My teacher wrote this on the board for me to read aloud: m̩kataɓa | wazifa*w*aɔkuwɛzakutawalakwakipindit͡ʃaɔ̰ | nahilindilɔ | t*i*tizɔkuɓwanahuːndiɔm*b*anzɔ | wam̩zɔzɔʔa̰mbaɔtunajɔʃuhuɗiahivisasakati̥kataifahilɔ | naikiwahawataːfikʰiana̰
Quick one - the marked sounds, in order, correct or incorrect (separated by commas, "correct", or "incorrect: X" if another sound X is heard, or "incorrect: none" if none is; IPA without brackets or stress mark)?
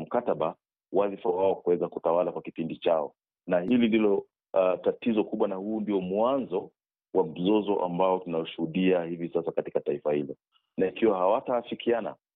correct, incorrect: a, incorrect: w